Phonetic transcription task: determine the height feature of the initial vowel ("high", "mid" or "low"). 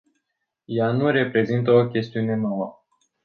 low